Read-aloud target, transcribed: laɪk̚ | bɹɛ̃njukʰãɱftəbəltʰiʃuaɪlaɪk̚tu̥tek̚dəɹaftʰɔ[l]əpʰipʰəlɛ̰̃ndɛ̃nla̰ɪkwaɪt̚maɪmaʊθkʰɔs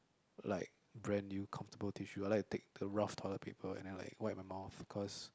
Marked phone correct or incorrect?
correct